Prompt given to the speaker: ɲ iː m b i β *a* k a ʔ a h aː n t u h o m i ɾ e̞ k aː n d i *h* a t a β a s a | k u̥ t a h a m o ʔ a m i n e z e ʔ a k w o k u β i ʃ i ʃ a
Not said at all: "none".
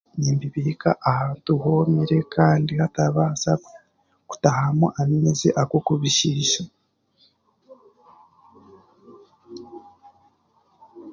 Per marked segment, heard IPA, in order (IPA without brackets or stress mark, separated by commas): i, h